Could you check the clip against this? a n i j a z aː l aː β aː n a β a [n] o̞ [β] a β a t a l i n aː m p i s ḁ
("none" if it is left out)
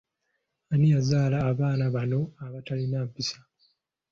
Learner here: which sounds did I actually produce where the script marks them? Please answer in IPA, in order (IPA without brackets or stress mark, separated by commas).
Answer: n, none